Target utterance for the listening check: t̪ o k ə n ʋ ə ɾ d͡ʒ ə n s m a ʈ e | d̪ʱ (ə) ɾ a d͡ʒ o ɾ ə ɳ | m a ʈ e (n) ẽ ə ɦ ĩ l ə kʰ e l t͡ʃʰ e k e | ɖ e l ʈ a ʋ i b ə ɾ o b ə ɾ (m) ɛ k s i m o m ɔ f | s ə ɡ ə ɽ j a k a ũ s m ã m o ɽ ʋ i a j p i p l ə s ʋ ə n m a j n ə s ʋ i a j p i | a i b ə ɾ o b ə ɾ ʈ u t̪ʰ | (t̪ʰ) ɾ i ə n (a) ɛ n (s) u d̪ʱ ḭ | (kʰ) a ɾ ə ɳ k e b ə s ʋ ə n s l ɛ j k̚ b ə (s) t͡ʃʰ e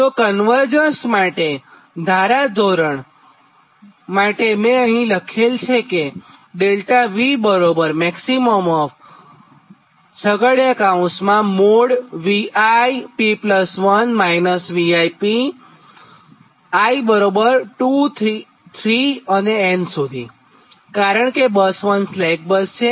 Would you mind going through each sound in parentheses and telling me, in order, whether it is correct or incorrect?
incorrect: a, incorrect: m, correct, correct, incorrect: e, correct, incorrect: k, correct

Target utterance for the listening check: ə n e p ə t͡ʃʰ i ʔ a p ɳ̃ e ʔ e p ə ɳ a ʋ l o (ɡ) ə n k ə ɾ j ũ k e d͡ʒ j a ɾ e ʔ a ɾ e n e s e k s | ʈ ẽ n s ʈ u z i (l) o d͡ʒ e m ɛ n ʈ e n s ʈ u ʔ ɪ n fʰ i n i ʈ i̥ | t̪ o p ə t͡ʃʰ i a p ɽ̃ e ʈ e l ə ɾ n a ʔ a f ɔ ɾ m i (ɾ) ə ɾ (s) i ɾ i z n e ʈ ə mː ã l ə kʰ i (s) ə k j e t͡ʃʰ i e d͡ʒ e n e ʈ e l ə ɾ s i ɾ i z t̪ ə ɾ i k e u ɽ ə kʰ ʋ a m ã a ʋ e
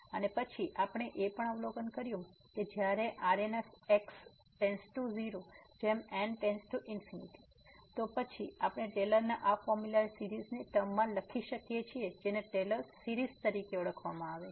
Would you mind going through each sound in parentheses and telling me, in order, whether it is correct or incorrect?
correct, incorrect: ɾ, incorrect: l, correct, incorrect: ʃ

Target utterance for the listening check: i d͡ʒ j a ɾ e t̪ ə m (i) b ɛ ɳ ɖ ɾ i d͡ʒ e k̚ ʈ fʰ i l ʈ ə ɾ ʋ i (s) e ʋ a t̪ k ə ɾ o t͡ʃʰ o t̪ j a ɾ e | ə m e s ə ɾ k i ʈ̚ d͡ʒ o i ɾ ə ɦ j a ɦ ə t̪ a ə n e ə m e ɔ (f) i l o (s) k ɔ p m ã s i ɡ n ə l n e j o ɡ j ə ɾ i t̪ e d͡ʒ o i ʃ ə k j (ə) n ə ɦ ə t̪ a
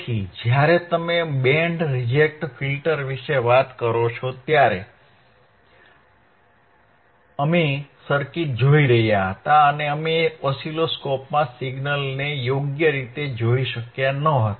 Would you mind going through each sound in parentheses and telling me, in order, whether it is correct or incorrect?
incorrect: e, incorrect: ʃ, incorrect: s, correct, incorrect: a

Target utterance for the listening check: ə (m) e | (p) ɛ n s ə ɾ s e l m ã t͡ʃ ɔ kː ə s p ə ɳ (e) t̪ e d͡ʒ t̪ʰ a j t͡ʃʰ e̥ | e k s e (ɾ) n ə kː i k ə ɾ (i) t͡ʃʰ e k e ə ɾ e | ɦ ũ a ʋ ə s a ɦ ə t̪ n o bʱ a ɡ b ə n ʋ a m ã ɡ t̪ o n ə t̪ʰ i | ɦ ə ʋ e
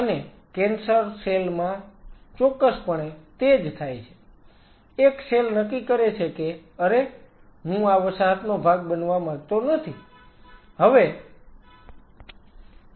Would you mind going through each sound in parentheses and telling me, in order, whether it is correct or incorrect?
incorrect: n, incorrect: k, correct, incorrect: l, incorrect: e

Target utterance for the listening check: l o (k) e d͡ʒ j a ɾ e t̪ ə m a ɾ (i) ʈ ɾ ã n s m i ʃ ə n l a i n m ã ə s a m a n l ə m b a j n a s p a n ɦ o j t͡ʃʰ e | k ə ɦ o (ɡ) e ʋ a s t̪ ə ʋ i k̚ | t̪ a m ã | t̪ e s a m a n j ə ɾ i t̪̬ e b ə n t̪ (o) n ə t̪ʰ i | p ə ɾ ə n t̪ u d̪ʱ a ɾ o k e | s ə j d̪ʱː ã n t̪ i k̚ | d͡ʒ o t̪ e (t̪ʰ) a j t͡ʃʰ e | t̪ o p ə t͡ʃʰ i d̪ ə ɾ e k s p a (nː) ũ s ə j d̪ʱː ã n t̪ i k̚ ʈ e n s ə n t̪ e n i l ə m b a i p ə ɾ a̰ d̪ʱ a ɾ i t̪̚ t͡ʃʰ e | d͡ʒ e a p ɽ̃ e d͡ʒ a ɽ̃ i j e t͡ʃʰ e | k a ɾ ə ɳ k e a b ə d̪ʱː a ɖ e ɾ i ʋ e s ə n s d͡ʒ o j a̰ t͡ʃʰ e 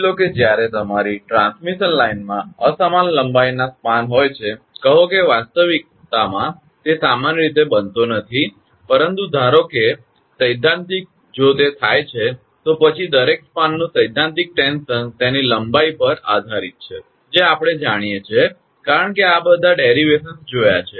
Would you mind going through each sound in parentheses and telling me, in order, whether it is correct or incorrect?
correct, correct, incorrect: k, correct, correct, correct

